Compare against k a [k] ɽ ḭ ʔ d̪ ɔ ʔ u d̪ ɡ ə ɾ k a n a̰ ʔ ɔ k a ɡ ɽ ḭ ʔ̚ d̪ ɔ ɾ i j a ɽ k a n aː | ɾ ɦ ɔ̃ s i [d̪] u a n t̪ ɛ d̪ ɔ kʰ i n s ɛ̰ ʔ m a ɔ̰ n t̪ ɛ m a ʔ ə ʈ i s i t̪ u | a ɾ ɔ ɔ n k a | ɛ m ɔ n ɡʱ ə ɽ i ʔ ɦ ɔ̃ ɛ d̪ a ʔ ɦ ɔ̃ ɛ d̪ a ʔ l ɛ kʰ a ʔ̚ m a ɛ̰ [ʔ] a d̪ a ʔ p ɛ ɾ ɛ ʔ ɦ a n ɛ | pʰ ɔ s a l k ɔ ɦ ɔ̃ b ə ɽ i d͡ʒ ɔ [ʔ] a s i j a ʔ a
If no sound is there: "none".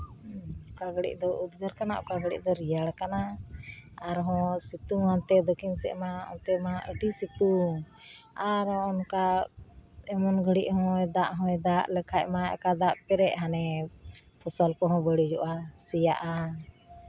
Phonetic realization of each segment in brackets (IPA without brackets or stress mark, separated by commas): ɡ, t̪, k, ʔ